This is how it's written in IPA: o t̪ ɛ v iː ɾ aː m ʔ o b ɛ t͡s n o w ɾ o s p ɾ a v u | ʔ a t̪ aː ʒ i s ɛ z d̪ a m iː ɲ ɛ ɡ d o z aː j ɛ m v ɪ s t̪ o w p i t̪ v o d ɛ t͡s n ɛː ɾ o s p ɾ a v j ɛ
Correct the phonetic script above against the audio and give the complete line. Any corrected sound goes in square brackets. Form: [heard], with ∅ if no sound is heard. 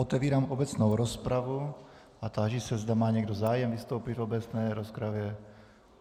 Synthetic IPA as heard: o t̪ ɛ v iː ɾ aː m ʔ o b ɛ t͡s n o w ɾ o s p ɾ a v u | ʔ a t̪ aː ʒ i s ɛ z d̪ a m [aː] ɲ ɛ ɡ d o z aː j ɛ m v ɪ s t̪ o w p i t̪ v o [b] ɛ t͡s n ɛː ɾ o s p ɾ a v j ɛ